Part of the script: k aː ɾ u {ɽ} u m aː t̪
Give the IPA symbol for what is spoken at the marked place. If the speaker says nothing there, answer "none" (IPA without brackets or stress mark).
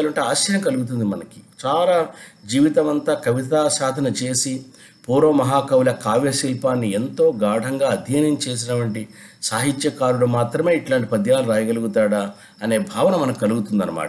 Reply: ɽ